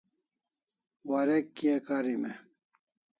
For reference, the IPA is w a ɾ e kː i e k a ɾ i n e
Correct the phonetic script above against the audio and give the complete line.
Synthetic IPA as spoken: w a ɾ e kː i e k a ɾ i m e